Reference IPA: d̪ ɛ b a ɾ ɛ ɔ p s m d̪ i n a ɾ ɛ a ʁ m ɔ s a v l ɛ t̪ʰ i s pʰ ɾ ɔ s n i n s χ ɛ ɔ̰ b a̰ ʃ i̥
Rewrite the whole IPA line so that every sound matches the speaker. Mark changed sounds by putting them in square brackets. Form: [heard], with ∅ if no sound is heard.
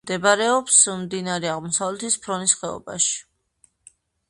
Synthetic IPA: d̪ ɛ b a ɾ ɛ ɔ p s m d̪ i n a ɾ ɛ a ʁ m ɔ s a v l ɛ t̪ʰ i s pʰ ɾ ɔ [∅] n i [∅] s χ ɛ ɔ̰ b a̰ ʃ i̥